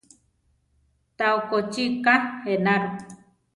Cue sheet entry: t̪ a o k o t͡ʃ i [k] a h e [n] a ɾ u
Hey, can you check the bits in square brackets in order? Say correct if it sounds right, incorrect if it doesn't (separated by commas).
correct, correct